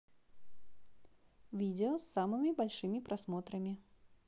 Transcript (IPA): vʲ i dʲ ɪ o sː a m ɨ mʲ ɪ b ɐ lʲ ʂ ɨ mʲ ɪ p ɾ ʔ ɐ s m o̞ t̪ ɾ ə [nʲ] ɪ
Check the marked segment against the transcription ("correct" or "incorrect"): incorrect